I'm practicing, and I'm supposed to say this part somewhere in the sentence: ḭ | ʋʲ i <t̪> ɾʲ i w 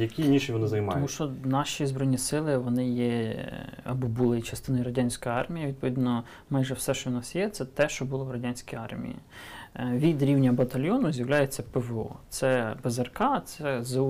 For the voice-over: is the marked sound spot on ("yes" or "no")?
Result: no